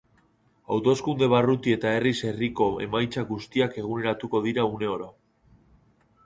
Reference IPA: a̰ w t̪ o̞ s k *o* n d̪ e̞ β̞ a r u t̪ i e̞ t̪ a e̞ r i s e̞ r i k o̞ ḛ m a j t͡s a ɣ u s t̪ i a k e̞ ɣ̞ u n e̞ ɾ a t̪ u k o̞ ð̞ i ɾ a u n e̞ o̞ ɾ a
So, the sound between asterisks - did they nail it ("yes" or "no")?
no